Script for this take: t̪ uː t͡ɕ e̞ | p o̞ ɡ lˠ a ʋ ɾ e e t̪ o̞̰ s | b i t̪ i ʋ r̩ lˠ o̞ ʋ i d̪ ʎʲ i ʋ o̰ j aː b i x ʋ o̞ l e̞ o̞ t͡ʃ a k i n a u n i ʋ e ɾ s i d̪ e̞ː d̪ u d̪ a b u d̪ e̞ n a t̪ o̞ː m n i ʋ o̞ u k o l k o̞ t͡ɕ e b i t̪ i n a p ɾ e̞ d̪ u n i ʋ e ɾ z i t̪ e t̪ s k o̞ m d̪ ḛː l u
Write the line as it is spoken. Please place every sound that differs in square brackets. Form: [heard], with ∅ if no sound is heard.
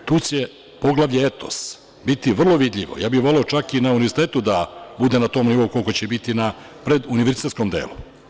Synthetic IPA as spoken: t̪ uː t͡ɕ e̞ | p o̞ ɡ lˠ a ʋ [ʎ] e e t̪ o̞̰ s | b i t̪ i ʋ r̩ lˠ o̞ ʋ i d̪ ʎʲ i ʋ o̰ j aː b i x ʋ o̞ l e̞ o̞ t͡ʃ a k i n a u n i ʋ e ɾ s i [t̪] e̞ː [t̪] u d̪ a b u d̪ e̞ n a t̪ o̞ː m n i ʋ o̞ u k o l k o̞ t͡ɕ e b i t̪ i n a p ɾ e̞ d̪ u n i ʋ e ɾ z i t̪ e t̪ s k o̞ m d̪ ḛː l u